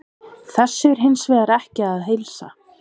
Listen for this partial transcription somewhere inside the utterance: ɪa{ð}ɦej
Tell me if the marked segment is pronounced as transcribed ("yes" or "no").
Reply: yes